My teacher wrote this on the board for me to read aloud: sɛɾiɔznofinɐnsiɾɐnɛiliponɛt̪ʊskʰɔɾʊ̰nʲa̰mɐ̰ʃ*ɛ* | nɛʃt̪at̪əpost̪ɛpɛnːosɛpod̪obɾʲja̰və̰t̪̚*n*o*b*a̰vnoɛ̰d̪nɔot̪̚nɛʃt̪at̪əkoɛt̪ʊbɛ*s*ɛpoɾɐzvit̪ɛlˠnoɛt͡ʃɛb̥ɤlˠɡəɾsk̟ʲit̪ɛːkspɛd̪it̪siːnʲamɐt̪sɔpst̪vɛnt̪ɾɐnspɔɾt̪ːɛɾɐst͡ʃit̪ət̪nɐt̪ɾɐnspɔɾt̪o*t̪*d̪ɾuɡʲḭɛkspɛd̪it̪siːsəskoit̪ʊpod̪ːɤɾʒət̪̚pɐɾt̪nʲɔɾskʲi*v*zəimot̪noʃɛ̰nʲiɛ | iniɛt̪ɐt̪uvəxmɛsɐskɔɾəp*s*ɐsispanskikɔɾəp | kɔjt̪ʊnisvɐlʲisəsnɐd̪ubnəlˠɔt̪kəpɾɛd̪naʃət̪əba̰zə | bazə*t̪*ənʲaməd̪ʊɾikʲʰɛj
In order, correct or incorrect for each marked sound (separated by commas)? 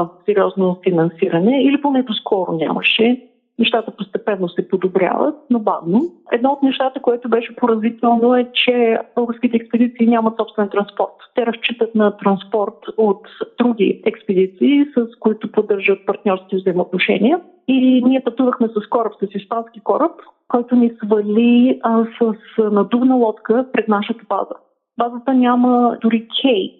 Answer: correct, correct, correct, incorrect, correct, correct, correct, correct